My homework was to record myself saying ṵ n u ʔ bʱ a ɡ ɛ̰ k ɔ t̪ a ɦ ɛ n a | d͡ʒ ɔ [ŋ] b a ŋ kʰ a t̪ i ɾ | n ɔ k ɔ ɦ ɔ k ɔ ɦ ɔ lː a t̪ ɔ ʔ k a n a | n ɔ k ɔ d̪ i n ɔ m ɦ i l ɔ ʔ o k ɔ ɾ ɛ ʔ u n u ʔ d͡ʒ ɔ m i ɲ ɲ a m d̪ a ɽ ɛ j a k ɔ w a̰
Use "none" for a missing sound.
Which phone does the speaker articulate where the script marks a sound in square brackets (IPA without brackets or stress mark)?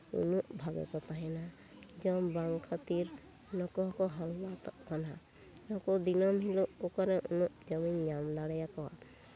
m